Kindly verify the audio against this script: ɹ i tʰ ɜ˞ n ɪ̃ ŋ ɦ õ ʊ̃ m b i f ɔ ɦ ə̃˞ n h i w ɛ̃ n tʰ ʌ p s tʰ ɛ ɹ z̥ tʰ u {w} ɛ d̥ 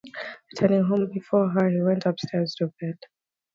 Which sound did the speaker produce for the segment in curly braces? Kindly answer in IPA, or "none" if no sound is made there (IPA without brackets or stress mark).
b